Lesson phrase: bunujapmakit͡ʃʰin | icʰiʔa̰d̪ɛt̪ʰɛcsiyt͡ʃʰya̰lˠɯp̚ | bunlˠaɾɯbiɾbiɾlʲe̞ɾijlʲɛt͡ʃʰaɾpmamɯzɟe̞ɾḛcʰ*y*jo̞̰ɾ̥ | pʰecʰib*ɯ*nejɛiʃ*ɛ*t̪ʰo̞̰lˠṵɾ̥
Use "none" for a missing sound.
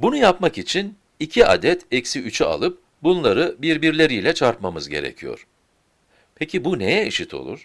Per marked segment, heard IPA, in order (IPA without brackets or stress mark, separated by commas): i, u, i